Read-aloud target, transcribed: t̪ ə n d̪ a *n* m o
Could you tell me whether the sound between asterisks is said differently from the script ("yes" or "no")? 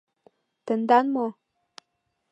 no